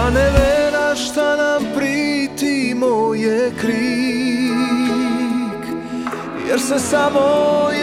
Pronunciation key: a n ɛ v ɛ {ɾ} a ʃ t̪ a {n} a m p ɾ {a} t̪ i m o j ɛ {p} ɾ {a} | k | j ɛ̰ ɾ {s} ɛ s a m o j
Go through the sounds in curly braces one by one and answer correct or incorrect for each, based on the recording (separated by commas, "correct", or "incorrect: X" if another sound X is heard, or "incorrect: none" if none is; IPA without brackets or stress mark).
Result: correct, correct, incorrect: i, incorrect: k, incorrect: i, correct